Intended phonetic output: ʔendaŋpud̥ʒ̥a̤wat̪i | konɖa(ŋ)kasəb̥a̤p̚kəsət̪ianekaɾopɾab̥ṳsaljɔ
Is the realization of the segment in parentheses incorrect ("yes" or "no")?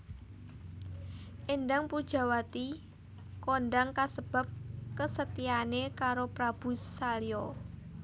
no